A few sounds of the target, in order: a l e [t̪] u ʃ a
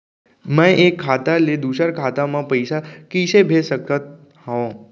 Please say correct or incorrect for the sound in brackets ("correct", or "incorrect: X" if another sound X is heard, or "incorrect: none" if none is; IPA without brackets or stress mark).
incorrect: d̪